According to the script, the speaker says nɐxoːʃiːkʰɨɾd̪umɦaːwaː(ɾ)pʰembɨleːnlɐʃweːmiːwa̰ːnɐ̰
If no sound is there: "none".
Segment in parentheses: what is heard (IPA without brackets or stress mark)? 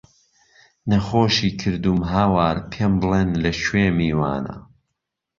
ɾ